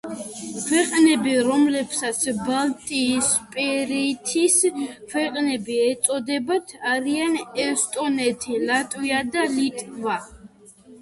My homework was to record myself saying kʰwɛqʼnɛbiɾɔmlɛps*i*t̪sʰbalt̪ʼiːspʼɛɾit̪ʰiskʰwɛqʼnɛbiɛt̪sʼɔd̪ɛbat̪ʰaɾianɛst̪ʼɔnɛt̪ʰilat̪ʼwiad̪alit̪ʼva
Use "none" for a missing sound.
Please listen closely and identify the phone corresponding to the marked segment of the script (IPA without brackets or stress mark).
a